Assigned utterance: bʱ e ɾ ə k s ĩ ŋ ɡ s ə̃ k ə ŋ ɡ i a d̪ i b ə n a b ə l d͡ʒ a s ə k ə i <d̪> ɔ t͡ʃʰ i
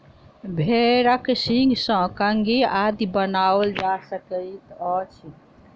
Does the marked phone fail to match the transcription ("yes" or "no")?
yes